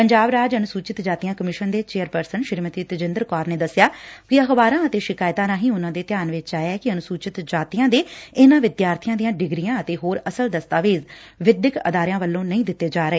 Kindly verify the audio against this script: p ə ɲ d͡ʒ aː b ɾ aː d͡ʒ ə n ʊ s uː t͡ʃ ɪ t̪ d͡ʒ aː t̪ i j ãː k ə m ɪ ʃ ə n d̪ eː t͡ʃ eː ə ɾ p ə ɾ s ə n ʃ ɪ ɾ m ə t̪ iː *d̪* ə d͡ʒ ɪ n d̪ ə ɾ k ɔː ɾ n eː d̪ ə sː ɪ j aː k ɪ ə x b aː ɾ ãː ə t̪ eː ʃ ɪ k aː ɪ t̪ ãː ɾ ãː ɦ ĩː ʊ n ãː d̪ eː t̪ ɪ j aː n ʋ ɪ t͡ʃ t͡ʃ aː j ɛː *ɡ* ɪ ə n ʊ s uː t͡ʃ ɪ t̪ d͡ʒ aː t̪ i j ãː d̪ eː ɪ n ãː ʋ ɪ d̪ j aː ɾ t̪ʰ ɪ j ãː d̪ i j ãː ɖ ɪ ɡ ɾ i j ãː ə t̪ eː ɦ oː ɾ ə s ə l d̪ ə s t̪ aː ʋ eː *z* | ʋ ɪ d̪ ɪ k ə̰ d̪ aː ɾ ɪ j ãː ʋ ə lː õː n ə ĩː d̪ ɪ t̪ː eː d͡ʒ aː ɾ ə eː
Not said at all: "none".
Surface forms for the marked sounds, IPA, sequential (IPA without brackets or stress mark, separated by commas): t̪, k, z